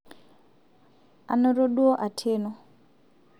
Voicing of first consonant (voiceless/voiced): voiced